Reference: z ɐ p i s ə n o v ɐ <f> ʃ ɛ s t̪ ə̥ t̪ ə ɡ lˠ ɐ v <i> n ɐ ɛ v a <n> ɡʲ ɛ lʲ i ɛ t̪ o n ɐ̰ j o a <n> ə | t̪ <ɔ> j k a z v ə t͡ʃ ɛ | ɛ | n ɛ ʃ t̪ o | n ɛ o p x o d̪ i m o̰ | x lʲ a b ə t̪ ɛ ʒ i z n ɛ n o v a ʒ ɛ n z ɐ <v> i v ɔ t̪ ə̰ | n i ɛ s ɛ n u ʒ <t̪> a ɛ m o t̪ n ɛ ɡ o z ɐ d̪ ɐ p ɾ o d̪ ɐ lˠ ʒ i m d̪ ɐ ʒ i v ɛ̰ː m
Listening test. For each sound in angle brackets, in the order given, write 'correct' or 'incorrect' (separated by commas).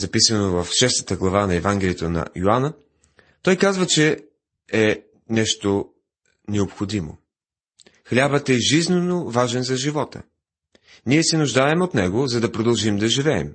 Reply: correct, incorrect, incorrect, correct, correct, incorrect, incorrect